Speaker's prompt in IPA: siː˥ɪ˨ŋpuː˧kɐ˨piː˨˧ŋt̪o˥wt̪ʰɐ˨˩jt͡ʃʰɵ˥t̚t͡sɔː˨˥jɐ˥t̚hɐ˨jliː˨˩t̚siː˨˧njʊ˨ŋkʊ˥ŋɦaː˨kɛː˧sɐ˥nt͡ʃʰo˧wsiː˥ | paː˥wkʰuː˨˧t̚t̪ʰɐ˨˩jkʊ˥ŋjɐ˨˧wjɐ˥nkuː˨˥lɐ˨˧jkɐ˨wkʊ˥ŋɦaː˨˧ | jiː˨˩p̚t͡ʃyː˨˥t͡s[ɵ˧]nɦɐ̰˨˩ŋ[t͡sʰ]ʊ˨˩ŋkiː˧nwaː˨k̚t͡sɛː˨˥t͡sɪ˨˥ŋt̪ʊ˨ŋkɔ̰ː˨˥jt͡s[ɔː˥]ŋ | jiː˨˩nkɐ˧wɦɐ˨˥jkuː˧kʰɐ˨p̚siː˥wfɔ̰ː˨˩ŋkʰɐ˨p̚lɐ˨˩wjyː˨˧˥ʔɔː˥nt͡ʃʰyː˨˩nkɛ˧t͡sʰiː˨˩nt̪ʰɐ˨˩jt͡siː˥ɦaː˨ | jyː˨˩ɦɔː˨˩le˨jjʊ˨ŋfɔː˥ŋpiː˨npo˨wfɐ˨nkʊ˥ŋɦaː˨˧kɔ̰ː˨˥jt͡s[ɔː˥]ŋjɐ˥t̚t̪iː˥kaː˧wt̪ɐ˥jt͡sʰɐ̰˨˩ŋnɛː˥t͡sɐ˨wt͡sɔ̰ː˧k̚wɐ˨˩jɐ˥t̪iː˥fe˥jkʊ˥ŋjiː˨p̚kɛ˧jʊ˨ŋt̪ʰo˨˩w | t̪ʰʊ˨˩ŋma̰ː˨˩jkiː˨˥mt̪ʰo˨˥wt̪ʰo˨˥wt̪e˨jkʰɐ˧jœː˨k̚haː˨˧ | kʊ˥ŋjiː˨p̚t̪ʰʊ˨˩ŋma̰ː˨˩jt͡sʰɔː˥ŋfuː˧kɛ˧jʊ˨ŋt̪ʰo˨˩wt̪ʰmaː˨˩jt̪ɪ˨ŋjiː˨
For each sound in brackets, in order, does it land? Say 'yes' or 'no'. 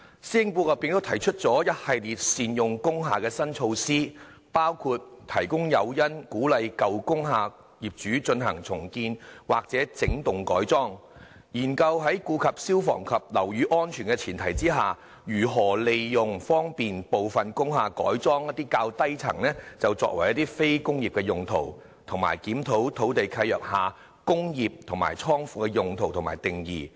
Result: yes, yes, yes, yes

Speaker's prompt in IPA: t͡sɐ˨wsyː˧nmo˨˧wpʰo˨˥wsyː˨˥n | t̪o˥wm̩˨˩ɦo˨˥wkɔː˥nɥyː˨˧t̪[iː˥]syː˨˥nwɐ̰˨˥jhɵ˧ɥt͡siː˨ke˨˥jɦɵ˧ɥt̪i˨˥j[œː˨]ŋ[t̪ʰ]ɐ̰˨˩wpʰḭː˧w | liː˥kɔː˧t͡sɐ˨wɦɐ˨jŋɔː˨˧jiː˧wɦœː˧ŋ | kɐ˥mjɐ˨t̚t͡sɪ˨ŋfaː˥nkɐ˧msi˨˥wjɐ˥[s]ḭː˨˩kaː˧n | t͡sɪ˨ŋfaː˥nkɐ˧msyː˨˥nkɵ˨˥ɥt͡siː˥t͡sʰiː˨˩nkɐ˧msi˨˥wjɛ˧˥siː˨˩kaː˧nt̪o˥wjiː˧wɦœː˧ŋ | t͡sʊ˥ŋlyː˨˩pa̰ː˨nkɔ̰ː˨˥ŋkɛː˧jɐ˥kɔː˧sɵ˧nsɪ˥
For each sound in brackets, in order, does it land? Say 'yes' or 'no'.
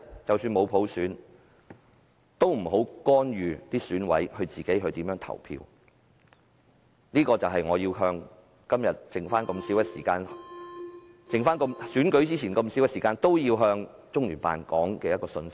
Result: yes, no, yes, yes

